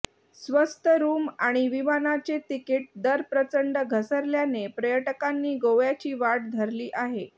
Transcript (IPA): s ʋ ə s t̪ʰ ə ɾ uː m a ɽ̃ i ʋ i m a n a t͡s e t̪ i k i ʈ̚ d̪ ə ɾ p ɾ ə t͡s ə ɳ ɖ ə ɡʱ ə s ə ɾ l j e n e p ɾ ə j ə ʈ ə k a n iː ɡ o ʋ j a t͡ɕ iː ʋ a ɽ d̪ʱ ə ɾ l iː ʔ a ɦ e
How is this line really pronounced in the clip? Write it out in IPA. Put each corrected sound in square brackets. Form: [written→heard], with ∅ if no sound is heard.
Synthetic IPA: s ʋ ə s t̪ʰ ə ɾ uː m a ɽ̃ i ʋ i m a n a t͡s e t̪ i k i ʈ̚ d̪ ə ɾ p ɾ ə t͡s ə ɳ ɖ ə ɡʱ ə s ə ɾ l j [e→a] n e p ɾ ə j ə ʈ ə k a [n→nː] iː ɡ o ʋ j a t͡ɕ iː ʋ a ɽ d̪ʱ ə ɾ l iː ʔ a ɦ e